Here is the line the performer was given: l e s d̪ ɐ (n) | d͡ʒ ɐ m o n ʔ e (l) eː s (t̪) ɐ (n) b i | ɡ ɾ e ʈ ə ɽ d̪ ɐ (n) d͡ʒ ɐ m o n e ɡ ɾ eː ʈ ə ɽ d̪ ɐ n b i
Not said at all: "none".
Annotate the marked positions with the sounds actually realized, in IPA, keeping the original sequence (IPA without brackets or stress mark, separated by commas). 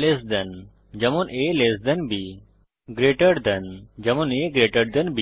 n, l, d̪, n, n